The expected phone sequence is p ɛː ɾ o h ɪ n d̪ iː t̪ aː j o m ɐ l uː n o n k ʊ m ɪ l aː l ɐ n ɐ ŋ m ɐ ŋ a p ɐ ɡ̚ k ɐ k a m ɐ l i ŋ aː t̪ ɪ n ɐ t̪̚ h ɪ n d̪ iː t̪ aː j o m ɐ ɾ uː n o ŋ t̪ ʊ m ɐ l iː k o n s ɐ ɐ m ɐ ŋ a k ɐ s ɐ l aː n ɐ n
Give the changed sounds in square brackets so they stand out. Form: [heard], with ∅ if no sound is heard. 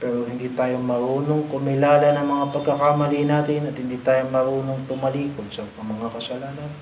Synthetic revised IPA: p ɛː ɾ o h ɪ n d̪ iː t̪ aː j o m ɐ [ɾ] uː n o [ŋ] k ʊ m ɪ l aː l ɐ n ɐ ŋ m ɐ ŋ a p ɐ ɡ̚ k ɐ k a m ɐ l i [n] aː t̪ ɪ n ɐ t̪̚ h ɪ n d̪ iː t̪ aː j o m ɐ ɾ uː n o ŋ t̪ ʊ m ɐ l iː k o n s ɐ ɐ m ɐ ŋ a k ɐ s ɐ l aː n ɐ n